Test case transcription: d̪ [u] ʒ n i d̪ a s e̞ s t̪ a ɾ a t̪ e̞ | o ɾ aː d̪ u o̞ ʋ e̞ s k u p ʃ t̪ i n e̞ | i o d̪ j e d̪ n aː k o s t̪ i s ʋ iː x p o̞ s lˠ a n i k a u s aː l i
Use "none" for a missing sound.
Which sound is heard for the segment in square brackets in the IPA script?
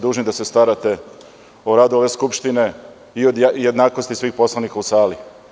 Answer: uː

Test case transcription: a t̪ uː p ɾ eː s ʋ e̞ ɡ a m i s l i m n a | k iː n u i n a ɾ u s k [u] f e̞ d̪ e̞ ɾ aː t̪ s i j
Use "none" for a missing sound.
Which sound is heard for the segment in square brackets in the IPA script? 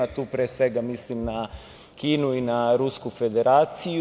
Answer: u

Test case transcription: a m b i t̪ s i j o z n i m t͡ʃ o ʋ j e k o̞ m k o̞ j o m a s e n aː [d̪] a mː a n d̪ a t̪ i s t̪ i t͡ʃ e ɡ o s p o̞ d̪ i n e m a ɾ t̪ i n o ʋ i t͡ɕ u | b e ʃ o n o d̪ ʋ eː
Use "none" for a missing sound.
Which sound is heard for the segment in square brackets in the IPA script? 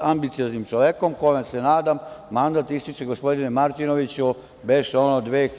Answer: d̪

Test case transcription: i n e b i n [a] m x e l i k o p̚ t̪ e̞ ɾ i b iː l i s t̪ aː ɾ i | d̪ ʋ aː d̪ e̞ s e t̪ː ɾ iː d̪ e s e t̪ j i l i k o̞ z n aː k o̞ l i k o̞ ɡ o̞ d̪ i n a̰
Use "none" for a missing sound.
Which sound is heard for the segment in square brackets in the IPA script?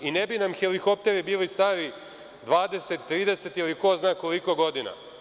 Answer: a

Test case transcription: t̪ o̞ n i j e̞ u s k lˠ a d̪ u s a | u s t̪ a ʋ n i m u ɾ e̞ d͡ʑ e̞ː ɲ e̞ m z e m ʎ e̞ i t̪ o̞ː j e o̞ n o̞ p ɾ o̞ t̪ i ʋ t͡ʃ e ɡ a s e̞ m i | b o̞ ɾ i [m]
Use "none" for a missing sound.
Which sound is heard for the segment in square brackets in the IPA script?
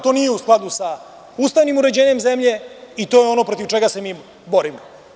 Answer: m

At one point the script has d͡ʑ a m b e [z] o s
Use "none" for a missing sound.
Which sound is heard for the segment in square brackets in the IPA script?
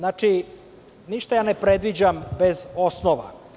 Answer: z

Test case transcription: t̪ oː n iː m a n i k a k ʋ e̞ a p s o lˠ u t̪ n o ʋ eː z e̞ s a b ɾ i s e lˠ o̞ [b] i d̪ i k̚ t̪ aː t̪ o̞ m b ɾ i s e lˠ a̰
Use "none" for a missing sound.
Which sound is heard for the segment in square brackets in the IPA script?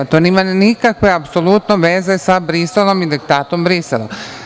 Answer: m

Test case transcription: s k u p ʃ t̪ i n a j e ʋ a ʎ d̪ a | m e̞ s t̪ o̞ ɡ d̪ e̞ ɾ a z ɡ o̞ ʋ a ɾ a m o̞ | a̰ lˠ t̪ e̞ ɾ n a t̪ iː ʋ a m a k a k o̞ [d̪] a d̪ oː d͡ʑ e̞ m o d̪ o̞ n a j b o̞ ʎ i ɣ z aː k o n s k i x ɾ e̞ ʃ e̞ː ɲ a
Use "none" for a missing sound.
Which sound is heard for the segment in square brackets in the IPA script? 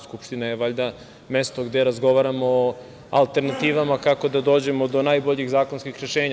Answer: d̪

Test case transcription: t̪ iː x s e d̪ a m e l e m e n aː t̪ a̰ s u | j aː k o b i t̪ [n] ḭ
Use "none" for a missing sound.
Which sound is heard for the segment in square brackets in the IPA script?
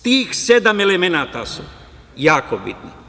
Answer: n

